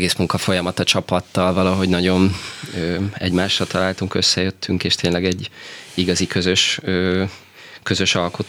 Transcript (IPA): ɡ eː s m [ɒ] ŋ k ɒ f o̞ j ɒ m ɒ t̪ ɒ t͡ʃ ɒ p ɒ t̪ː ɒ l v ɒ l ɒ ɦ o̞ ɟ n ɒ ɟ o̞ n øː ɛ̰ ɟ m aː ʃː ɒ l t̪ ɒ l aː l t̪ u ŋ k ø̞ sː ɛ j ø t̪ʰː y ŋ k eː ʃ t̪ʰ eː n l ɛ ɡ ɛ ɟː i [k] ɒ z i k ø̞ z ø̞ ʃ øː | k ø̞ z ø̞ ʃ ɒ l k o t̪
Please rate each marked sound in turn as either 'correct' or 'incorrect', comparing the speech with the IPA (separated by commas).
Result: incorrect, incorrect